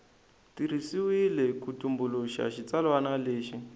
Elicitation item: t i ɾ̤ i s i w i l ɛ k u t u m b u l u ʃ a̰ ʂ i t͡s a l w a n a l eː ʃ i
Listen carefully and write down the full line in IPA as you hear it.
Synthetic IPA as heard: t i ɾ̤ i s i w i l ɛ k u t u m b u l u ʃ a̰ ʃ i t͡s a l w a n a l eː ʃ i